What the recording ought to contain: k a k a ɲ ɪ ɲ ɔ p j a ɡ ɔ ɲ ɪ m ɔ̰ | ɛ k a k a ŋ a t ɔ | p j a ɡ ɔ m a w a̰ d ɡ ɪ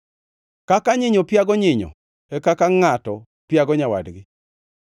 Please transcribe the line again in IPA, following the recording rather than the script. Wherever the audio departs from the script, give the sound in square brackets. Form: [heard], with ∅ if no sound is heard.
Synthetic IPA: k a k a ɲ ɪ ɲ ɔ p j a ɡ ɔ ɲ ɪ [ɲ] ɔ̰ | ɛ k a k a ŋ a t ɔ | p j a ɡ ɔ [ɲ] a w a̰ d ɡ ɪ